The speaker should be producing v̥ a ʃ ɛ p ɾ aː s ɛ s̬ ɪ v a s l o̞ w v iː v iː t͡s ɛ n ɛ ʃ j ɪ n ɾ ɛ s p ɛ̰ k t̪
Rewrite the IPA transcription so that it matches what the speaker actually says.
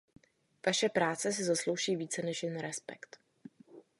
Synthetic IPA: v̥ a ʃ ɛ p ɾ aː t͡s ɛ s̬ ɪ z a s l o̞ w ʒ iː v iː t͡s ɛ n ɛ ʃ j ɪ n ɾ ɛ s p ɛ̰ k t̪